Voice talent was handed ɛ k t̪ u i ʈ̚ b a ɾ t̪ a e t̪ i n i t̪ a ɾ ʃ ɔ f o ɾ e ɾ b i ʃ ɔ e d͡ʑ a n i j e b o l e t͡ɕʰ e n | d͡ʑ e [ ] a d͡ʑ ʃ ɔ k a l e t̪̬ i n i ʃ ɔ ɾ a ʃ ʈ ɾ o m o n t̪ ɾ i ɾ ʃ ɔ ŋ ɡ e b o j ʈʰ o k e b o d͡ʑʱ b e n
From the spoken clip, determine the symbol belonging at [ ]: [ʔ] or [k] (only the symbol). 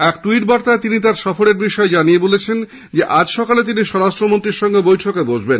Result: ʔ